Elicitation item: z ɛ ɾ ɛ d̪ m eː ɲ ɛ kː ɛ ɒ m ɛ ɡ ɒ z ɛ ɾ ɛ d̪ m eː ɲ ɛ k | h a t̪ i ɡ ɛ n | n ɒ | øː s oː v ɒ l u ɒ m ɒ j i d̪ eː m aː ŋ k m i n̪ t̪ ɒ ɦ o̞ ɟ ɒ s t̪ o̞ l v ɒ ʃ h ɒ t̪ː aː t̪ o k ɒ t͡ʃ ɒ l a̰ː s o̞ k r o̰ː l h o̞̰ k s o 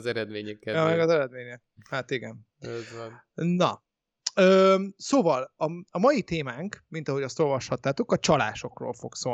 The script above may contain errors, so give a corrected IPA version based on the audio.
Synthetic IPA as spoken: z ɛ ɾ ɛ d̪ m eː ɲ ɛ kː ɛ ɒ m ɛ ɡ ɒ z ɛ ɾ ɛ d̪ m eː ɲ ɛ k | h a t̪ i ɡ ɛ n | n ɒ | øː s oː v ɒ l ɒ ɒ m ɒ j i t̪ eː m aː ŋ k m i n̪ t̪ ɒ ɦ o̞ ɟ ɒ s t̪ o̞ l v ɒ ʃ h ɒ t̪ː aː t̪ o k ɒ t͡ʃ ɒ l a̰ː ʃ o̞ k r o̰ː l f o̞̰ k s o